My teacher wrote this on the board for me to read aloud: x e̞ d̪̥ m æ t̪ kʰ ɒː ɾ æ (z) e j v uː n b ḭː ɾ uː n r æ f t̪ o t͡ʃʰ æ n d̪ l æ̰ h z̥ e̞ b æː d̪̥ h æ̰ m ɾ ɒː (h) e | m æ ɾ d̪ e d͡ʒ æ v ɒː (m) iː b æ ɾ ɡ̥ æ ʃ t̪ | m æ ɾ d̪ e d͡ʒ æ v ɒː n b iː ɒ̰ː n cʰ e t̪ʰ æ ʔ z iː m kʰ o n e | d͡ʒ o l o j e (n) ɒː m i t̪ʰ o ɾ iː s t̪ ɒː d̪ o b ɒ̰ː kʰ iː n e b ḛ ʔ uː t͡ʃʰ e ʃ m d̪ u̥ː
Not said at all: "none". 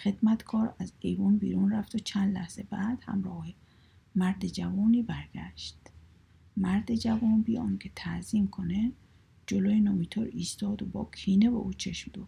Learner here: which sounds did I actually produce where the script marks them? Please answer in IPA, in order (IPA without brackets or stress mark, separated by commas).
z, h, n, n